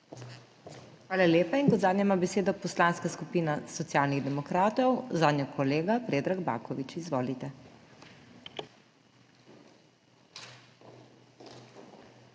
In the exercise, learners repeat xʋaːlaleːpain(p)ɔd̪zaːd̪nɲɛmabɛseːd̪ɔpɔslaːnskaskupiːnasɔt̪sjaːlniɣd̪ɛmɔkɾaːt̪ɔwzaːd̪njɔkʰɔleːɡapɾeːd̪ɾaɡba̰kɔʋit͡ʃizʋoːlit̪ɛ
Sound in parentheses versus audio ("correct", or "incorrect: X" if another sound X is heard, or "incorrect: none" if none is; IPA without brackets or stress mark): incorrect: k